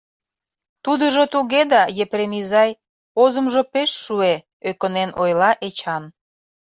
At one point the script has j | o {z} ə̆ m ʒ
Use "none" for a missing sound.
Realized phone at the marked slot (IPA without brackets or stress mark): z